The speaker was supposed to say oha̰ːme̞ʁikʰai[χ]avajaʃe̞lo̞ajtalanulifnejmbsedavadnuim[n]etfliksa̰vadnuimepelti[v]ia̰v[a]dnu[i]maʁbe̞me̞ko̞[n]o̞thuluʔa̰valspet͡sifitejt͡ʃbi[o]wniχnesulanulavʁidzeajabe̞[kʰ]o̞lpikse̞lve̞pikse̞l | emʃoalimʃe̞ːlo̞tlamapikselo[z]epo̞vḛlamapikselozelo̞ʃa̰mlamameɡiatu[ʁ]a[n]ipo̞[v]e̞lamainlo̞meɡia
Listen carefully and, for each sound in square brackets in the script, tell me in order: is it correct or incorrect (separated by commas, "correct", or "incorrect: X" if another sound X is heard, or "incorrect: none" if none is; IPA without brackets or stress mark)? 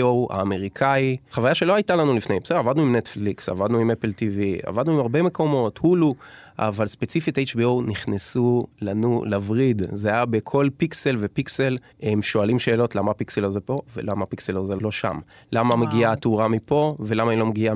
correct, correct, correct, correct, correct, incorrect: m, correct, correct, correct, correct, incorrect: m, correct